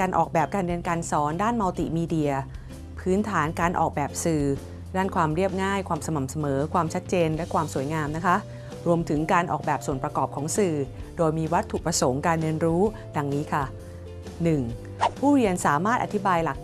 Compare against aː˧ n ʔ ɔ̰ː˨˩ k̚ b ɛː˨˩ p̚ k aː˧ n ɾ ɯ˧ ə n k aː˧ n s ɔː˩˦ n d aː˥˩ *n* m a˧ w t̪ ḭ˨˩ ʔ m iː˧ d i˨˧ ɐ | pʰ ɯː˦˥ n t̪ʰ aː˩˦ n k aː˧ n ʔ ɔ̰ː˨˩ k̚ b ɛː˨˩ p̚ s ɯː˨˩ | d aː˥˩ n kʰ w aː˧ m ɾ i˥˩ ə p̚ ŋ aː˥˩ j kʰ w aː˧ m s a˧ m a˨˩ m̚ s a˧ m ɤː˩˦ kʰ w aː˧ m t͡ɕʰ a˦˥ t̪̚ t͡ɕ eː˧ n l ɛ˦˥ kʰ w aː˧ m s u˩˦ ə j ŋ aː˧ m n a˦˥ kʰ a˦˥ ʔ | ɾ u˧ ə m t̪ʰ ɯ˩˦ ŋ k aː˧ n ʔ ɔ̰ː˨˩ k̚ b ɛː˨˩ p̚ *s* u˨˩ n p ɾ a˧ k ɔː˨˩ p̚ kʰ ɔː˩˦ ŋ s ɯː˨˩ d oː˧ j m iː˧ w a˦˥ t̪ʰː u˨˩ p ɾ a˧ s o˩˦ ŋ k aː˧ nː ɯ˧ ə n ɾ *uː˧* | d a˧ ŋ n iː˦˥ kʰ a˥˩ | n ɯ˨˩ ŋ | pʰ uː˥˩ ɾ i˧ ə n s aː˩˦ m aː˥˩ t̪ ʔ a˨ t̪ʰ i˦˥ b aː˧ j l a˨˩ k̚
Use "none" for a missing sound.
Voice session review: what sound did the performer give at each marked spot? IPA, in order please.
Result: n, s, uː˦˥

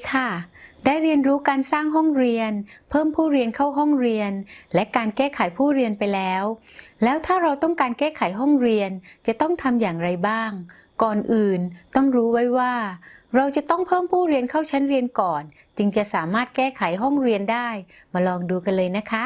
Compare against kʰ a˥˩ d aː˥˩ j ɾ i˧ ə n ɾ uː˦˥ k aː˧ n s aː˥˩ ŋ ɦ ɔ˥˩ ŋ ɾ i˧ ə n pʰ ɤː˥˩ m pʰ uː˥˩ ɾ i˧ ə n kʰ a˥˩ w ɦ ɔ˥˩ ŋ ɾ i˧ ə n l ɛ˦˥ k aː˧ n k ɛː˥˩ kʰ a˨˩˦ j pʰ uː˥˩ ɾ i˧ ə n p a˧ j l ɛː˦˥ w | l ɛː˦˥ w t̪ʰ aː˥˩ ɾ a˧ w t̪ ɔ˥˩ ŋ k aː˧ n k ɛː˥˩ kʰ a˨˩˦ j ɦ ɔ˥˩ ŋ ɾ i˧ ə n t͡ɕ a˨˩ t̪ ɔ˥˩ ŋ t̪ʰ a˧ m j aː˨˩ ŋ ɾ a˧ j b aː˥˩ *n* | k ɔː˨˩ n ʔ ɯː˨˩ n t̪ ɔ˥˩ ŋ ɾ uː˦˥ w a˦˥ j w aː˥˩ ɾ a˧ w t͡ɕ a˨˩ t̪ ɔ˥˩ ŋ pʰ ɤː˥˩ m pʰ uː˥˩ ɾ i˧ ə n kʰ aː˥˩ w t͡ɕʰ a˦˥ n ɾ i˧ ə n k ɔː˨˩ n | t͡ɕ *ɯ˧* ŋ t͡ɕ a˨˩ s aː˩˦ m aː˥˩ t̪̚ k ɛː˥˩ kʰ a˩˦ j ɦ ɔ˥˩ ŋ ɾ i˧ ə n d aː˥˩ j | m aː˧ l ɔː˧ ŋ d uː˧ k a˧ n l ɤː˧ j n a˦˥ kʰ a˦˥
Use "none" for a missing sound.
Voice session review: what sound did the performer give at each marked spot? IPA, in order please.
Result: ŋ, ɯ˧

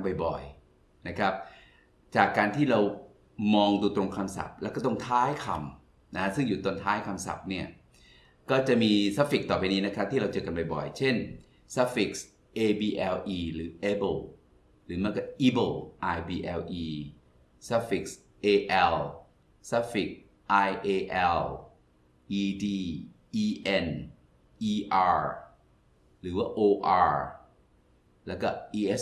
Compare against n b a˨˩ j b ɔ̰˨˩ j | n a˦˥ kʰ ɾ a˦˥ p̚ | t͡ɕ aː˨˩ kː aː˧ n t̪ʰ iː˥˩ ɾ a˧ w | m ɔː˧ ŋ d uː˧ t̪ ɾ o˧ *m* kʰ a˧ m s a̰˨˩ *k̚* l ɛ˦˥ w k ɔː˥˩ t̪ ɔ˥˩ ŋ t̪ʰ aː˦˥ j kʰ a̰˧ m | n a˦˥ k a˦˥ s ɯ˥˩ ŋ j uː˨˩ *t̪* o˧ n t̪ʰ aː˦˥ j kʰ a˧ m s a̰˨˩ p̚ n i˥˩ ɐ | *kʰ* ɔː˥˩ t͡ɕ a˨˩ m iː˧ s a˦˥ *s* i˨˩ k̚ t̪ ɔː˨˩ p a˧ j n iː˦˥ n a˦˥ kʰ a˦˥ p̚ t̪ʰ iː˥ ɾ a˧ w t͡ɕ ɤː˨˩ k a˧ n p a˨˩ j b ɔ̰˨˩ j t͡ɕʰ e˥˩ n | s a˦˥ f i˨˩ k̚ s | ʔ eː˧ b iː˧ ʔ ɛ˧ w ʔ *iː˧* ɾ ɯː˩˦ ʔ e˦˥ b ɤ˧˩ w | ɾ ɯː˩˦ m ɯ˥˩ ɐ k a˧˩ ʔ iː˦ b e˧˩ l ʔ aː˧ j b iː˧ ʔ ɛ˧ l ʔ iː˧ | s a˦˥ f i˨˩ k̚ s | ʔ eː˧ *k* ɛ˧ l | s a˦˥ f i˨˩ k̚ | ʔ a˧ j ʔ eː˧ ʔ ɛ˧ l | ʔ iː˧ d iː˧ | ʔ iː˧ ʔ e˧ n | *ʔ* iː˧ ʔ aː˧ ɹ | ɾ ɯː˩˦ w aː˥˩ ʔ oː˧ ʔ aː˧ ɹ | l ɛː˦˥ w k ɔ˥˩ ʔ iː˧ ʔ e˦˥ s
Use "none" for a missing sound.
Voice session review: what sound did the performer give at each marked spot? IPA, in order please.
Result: ŋ, p̚, t̪, k, f, iː˧, ʔ, ʔ

